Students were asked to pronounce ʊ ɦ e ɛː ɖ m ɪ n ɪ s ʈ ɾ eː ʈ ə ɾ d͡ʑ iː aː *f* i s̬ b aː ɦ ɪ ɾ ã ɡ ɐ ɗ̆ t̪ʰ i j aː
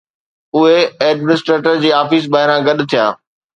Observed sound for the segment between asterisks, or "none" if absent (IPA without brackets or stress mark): f